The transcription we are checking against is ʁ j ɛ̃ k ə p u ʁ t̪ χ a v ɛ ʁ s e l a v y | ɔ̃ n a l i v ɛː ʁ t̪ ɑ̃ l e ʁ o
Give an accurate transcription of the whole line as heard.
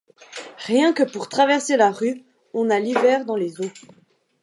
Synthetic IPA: ʁ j ɛ̃ k ə p u ʁ t̪ χ a v ɛ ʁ s e l a ʁ y | ɔ̃ n a l i v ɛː ʁ d̪ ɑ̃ l e z o

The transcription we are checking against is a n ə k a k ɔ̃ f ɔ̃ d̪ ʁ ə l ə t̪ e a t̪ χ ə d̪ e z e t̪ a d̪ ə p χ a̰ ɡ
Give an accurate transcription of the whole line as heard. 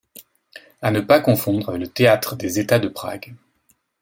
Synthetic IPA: a n ə p a k ɔ̃ f ɔ̃ d̪ ʁ ə l ə t̪ e a t̪ χ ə d̪ e z e t̪ a d̪ ə p χ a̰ ɡ

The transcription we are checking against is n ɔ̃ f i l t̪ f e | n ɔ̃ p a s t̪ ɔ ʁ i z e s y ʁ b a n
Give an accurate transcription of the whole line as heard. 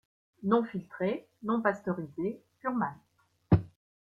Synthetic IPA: n ɔ̃ f i l t̪ χ e | n ɔ̃ p a s t̪ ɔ ʁ i z e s y ʁ m a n

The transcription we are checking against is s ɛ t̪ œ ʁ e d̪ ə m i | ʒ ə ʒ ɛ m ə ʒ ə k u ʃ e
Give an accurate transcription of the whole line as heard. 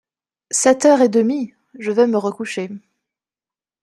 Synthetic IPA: s ɛ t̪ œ ʁ e d̪ ə m i | ʒ ə v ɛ m ə ʁ ə k u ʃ e

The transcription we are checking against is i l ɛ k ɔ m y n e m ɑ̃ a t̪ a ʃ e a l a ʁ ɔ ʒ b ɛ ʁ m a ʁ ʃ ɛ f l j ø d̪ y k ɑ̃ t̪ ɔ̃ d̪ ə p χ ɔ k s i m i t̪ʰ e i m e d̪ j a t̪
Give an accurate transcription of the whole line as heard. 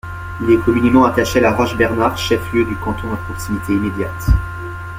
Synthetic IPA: i l ɛ k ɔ m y n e m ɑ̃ a t̪ a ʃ e a l a ʁ ɔ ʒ b ɛ ʁ n a ʁ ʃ ɛ f l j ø d̪ y k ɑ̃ t̪ ɔ̃ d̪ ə p χ ɔ k s i m i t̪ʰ e i m e d̪ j a t̪

